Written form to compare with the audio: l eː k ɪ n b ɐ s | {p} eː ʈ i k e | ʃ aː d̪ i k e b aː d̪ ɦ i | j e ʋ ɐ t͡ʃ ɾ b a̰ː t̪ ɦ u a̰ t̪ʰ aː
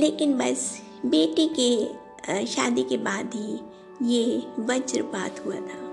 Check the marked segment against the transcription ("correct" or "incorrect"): incorrect